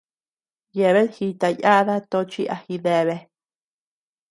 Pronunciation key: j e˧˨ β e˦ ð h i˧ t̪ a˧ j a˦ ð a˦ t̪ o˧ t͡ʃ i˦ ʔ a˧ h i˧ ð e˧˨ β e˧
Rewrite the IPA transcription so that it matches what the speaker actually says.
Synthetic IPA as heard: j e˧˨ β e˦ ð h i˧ t̪ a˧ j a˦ ð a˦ t̪ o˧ t͡ʃ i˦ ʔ a˧ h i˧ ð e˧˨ β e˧